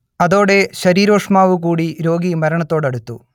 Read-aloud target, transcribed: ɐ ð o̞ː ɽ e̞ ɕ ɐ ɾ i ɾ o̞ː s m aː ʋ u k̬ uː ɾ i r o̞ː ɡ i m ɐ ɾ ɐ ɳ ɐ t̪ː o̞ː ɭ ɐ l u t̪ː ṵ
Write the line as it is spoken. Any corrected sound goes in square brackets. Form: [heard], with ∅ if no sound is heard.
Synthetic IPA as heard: ɐ ð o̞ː ɽ e̞ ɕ ɐ ɾ [iː] ɾ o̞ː [ʂ] m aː ʋ u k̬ uː [ɽ] i [ɾ] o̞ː ɡ i m ɐ ɾ ɐ ɳ ɐ t̪ː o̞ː [ɽ] ɐ [ɽ] u t̪ː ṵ